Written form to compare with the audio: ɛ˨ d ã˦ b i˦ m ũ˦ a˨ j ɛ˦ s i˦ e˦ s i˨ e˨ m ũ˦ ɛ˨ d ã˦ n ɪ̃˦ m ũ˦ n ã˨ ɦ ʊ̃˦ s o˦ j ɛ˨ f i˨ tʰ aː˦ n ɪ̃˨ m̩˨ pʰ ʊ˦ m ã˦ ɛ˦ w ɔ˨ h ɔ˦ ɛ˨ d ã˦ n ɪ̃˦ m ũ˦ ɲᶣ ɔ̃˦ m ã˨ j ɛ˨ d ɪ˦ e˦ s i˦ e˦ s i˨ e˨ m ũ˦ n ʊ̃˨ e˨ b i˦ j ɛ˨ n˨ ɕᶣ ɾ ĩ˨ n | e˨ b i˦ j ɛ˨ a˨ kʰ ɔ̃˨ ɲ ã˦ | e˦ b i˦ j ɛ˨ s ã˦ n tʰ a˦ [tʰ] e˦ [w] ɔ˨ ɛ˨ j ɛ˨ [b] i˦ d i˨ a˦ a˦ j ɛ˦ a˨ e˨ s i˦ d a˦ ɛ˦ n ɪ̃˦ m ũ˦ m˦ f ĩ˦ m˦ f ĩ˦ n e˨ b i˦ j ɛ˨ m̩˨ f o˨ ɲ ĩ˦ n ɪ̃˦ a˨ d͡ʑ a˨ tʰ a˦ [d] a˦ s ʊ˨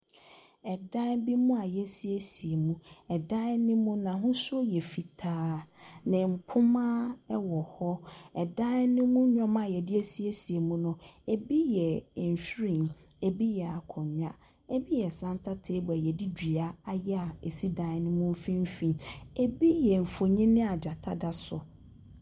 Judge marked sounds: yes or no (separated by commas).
yes, no, no, yes